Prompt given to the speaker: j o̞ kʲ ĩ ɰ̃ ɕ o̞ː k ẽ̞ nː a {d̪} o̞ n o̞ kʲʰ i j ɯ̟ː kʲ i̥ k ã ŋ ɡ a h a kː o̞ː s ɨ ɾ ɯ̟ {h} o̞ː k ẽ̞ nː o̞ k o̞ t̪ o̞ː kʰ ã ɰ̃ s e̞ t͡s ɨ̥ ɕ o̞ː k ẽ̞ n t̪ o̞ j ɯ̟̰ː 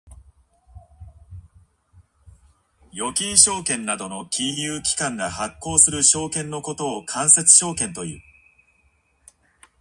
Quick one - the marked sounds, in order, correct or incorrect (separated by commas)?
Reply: correct, incorrect